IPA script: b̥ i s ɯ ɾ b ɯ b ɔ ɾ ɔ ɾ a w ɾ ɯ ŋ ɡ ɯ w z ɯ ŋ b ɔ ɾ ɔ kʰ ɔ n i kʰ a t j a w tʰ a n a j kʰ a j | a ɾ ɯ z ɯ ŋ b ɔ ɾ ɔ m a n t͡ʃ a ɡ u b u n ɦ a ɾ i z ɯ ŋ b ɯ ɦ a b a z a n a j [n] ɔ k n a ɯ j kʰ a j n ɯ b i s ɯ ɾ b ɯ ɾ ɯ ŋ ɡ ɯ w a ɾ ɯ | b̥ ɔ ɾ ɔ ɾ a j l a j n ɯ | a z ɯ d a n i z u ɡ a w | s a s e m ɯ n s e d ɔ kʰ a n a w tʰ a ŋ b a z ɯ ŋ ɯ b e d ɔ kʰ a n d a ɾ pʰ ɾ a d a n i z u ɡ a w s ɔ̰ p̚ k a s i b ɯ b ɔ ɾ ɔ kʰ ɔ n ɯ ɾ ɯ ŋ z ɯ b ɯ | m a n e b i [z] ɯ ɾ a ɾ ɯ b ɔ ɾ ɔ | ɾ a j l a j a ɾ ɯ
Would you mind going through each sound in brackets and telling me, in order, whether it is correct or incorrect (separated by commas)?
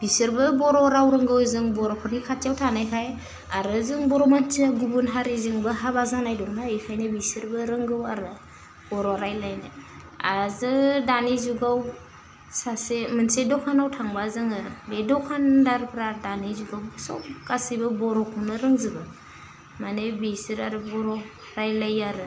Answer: incorrect, incorrect